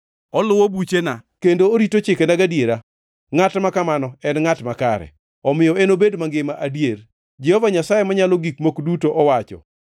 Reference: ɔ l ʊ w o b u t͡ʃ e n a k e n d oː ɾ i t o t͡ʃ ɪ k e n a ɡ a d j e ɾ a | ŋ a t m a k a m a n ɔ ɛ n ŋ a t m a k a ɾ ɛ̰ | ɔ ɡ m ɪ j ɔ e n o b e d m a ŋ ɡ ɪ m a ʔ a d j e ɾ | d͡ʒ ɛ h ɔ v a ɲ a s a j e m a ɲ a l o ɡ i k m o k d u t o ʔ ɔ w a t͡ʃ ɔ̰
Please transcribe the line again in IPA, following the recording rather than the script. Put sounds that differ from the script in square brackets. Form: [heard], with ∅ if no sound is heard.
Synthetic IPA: ɔ l ʊ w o b u t͡ʃ e n a k e n d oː ɾ i t o t͡ʃ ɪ k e n a ɡ a d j e ɾ a | ŋ a t m a k a m a n ɔ ɛ n ŋ a t m a k a ɾ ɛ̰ | ɔ [∅] m ɪ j ɔ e n o b e d m a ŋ ɡ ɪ m a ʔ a d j e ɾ | d͡ʒ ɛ h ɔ v a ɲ a s a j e m a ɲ a l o ɡ i k m o k d u t o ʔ ɔ w a t͡ʃ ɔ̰